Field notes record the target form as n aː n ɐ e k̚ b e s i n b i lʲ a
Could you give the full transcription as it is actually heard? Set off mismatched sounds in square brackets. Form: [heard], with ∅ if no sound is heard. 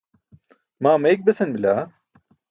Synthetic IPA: [m] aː [m] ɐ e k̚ b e s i n b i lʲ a